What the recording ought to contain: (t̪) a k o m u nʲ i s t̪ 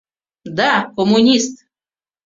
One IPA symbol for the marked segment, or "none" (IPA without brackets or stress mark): d̪